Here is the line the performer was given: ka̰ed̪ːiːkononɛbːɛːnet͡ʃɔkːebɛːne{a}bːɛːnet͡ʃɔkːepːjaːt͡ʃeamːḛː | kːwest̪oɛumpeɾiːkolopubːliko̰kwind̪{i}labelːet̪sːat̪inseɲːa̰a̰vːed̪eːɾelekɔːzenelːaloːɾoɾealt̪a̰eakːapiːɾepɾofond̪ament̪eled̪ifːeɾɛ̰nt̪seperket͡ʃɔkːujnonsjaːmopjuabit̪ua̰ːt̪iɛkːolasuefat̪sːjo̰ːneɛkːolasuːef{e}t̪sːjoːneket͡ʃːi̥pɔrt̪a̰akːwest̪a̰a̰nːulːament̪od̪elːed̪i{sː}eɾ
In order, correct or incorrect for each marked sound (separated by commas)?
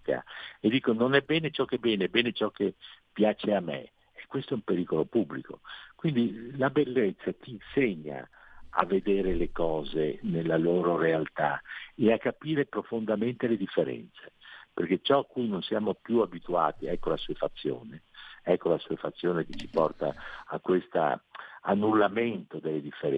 incorrect, correct, incorrect, incorrect